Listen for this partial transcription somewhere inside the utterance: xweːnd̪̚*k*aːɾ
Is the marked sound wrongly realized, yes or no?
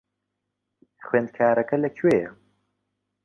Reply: yes